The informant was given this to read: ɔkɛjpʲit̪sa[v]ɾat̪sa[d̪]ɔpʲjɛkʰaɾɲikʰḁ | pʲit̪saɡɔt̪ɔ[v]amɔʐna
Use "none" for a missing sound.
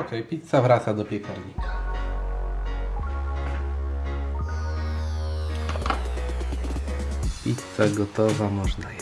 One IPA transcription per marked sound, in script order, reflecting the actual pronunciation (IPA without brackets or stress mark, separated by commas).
v, d̪, v